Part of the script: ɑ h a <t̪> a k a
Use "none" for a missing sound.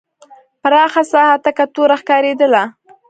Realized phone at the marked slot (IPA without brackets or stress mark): t̪